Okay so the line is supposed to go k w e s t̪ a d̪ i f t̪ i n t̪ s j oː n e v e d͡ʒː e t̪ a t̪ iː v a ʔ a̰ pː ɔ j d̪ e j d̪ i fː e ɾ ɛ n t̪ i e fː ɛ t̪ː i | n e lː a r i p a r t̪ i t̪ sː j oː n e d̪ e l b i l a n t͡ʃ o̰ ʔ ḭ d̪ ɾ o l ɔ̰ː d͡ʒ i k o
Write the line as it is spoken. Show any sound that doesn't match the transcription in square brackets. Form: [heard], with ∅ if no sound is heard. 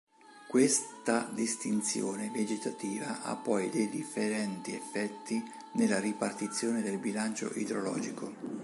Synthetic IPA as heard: k w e s t̪ a d̪ i [s] t̪ i n t̪ s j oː n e v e [d͡ʒ] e t̪ a t̪ iː v a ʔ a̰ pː ɔ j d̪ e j d̪ i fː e ɾ ɛ n t̪ i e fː ɛ t̪ː i | n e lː a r i p a r t̪ i t̪ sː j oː n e d̪ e l b i l a n t͡ʃ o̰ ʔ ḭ d̪ ɾ o l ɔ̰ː d͡ʒ i k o